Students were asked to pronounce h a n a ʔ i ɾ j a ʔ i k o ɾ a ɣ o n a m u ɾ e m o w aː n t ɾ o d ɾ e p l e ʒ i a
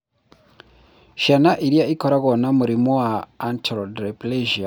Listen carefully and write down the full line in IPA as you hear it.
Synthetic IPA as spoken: ʃ a n a ʔ i ɾ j a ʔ i k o ɾ a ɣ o n a m u ɾ i m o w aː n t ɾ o d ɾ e p l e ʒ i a

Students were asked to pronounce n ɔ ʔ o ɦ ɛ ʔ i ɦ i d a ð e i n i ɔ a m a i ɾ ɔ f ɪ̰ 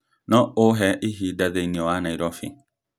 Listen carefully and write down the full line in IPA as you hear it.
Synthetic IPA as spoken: n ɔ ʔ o ɦ ɛ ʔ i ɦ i d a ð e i n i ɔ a n a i ɾ ɔ f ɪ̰

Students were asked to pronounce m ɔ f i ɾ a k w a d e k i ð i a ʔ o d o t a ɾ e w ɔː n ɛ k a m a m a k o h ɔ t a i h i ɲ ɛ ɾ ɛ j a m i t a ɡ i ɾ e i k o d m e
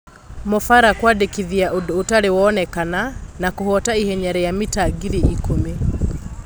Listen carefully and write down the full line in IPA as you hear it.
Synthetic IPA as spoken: m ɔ f a ɾ a k w a d e k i ð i a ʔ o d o t a ɾ e w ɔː n ɛ k a n a n a k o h ɔ t a i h ɛ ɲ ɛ ɾ ɛ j a m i t a ɡ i ɾ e i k o m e

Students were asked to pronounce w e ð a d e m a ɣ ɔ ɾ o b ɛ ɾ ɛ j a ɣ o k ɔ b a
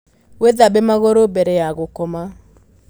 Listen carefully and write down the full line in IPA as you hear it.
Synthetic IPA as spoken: w e ð a b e m a ɣ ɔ ɾ o b ɛ ɾ ɛ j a ɣ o k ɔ m a

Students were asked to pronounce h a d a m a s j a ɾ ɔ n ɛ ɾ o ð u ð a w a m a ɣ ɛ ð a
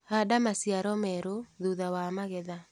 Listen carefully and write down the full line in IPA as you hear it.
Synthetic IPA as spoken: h a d a m a s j a ɾ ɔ m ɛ ɾ o ð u ð a w a m a ɣ ɛ ð a

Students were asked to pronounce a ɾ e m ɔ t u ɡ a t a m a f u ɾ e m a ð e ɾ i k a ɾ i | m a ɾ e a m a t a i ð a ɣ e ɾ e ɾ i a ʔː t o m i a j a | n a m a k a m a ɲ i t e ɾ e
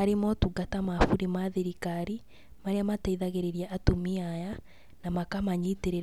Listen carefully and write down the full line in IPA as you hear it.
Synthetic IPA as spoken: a ɾ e m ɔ t u ɡ a t a m a f u ɾ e m a ð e ɾ i k a ɾ i | m a ɾ e a m a t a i ð a ɣ e ɾ e ɾ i a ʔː t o m i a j a | n a m a k a m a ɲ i t e ɾ e

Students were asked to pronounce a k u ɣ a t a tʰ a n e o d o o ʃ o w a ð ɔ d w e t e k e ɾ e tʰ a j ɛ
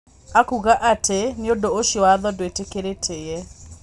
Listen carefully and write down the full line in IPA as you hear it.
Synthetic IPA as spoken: a k u ɣ a ʔ a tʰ e n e o d o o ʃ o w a ð ɔ d w e t e k e ɾ e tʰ e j ɛ

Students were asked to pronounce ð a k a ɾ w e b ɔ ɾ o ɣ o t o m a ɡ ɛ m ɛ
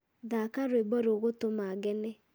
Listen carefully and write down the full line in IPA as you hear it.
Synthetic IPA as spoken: ð a k a ɾ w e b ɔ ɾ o ɣ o t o m a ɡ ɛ n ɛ

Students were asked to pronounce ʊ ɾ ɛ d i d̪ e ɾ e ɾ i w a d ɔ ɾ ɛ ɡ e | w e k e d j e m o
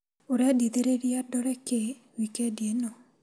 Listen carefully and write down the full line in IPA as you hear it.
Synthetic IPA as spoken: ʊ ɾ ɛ d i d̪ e ɾ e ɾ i a d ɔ ɾ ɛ k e | w i k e d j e n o

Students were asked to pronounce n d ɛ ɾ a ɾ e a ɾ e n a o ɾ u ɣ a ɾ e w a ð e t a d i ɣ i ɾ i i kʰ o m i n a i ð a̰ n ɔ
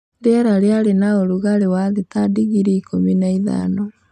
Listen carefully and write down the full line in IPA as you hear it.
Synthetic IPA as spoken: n d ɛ ɾ a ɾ e a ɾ e n a o ɾ u ɣ a ɾ e w a ð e t a d i ɣ i ɾ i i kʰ o m i n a i ð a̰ n ɔ

